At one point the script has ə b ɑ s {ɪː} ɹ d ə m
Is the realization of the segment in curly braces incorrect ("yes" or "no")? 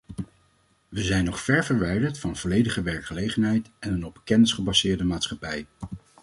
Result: no